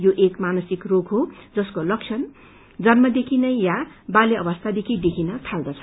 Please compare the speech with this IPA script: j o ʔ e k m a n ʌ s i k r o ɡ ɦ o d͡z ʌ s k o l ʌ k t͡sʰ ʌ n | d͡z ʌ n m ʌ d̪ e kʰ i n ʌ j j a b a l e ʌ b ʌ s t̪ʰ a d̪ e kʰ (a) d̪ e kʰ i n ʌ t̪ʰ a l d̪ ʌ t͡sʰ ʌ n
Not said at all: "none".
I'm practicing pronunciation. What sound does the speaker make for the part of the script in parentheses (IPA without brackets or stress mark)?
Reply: i